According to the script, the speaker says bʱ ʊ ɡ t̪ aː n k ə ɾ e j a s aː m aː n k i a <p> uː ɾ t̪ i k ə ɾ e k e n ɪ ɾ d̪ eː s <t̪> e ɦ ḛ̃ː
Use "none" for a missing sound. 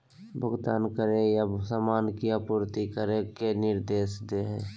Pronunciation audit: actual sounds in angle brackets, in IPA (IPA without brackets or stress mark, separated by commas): p, d̪